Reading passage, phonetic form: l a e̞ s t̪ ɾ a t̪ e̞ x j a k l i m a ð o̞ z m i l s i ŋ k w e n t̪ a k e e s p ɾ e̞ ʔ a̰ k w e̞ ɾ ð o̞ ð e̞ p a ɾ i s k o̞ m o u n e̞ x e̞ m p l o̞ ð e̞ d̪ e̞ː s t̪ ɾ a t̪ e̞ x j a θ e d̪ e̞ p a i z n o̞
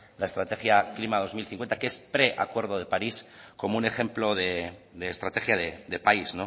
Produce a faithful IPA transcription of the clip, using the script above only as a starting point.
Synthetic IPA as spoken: l a e̞ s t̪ ɾ a t̪ e̞ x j a k l i m a ð o̞ z m i l θ i ŋ k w e n t̪ a k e e s p ɾ e̞ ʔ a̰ k w e̞ ɾ ð o̞ ð e̞ p a ɾ i s k o̞ m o u n e̞ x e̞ m p l o̞ ð e̞ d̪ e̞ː s t̪ ɾ a t̪ e̞ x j a ð e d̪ e̞ p a i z n o̞

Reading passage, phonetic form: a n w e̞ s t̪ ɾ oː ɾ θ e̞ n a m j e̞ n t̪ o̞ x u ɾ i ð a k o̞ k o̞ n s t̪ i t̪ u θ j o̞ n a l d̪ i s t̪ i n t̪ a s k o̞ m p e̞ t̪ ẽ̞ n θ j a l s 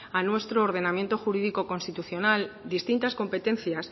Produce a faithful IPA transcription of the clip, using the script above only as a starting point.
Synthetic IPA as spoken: a n w e̞ s t̪ ɾ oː ɾ ð e̞ n a m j e̞ n t̪ o̞ x u ɾ i ð i k o̞ k o̞ n s t̪ i t̪ u θ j o̞ n a l d̪ i s t̪ i n t̪ a s k o̞ m p e̞ t̪ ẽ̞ n θ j a s

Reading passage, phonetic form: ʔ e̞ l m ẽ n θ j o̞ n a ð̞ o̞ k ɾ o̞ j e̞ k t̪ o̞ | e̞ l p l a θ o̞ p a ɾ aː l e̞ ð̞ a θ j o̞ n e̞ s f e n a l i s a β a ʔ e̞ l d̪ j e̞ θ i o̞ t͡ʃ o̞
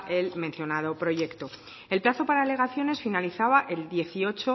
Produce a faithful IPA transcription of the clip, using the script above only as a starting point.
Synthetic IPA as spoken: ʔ e̞ l m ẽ n θ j o̞ n a ð̞ o̞ p ɾ o̞ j e̞ k t̪ o̞ | e̞ l p l a θ o̞ p a ɾ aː l e̞ ɣ̞ a θ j o̞ n e̞ s f i n a l i θ a β a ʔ e̞ l d̪ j e̞ θ i o̞ t͡ʃ o̞

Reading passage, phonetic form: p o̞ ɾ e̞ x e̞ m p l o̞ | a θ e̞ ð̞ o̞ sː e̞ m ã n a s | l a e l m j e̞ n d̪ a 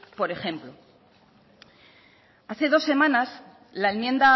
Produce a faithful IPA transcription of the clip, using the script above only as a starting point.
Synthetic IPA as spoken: p o̞ ɾ e̞ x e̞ m p l o̞ | a θ e̞ ð̞ o̞ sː e̞ m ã n a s | l a e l m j e̞ n d̪ a

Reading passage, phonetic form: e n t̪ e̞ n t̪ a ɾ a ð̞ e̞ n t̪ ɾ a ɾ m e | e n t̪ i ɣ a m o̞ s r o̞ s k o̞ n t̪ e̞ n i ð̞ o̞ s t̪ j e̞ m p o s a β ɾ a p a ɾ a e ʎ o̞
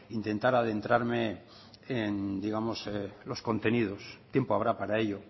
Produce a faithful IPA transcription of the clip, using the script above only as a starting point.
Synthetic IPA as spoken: i n t̪ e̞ n t̪ a ɾ a ð̞ e̞ n t̪ ɾ a ɾ m e | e n d̪ i ɣ a m o̞ s l o̞ s k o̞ n t̪ e̞ n i ð̞ o̞ s t̪ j e̞ m p o a β ɾ a p a ɾ a e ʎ o̞

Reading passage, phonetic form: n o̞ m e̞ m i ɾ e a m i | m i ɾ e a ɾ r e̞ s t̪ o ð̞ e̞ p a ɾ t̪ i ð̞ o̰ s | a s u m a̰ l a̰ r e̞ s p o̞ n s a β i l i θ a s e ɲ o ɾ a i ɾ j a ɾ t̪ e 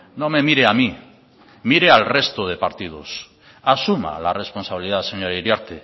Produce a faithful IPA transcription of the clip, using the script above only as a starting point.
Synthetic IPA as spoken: n o̞ m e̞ m i ɾ e a m i | m i ɾ e a l r e̞ s t̪ o ð̞ e̞ p a ɾ t̪ i ð̞ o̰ s | a s u m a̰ l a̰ r e̞ s p o̞ n s a β i l i ð a s e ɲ o ɾ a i ɾ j a ɾ t̪ e

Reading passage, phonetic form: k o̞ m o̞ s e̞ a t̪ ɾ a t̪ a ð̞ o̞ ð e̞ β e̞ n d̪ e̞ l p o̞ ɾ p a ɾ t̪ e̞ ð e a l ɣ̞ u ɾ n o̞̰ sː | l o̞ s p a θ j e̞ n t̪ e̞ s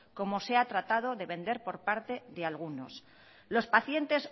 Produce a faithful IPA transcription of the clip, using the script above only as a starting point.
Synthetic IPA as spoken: k o̞ m o̞ s e̞ a t̪ ɾ a t̪ a ð̞ o̞ ð e̞ β e̞ n d̪ e̞ ɾ p o̞ ɾ p a ɾ t̪ e̞ ð e a l ɣ̞ u n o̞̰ s | l o̞ s p a θ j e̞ n t̪ e̞ s

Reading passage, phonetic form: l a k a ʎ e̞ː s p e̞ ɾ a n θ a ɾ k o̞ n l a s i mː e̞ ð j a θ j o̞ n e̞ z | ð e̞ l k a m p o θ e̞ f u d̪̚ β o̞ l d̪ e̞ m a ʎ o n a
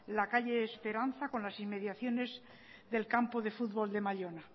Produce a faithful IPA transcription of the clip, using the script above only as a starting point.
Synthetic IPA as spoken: l a k a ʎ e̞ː s p e̞ ɾ a n θ a k o̞ n l a s i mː e̞ ð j a θ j o̞ n e̞ z | ð e̞ l k a m p o ð e̞ f u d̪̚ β o̞ l d̪ e̞ m a ʎ o n a

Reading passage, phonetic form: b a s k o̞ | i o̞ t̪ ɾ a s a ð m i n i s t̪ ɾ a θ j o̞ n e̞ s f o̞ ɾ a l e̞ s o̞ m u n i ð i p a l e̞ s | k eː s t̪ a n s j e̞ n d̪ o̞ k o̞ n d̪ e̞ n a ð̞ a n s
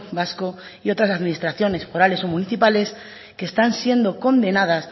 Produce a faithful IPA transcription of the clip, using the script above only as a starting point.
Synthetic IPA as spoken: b a s k o̞ | i o̞ t̪ ɾ a s a ð m i n i s t̪ ɾ a θ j o̞ n e̞ s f o̞ ɾ a l e̞ s o̞ m u n i θ i p a l e̞ s | k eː s t̪ a n s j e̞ n d̪ o̞ k o̞ n d̪ e̞ n a ð̞ a s

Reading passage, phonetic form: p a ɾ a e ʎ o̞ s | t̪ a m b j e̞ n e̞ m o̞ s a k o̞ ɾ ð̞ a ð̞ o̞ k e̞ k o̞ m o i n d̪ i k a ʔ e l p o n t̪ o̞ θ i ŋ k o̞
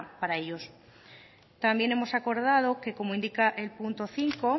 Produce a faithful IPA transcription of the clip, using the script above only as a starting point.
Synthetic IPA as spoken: p a ɾ a e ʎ o̞ s | t̪ a m b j e̞ n e̞ m o̞ s a k o̞ ɾ ð̞ a ð̞ o̞ k e̞ k o̞ m o i n d̪ i k a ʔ e l p u n t̪ o̞ θ i ŋ k o̞

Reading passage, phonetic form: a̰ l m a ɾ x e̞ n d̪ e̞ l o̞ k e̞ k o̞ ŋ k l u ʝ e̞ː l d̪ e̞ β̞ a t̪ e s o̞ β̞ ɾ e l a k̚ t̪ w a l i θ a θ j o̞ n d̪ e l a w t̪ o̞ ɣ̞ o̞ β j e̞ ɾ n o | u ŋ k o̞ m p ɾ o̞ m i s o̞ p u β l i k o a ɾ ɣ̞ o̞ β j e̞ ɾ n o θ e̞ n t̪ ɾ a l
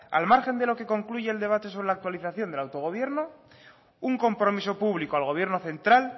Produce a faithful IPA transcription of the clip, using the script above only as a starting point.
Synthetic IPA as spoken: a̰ l m a ɾ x e̞ n d̪ e̞ l o̞ k e̞ k o̞ ŋ k l u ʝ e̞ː l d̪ e̞ β̞ a t̪ e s o̞ β̞ ɾ e l a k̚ t̪ w a l i θ a θ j o̞ n d̪ e l a w t̪ o̞ ɣ̞ o̞ β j e̞ ɾ n o | u ŋ k o̞ m p ɾ o̞ m i s o̞ p u β l i k o a l ɣ̞ o̞ β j e̞ ɾ n o θ e̞ n t̪ ɾ a l

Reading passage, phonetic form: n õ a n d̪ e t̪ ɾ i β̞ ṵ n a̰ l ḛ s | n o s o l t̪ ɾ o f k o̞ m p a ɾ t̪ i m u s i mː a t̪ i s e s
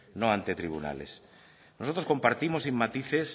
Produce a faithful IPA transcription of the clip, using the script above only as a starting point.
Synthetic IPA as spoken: n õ a n t̪ e t̪ ɾ i β̞ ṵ n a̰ l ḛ s | n o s o t̪ ɾ o s k o̞ m p a ɾ t̪ i m o s i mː a t̪ i θ e s

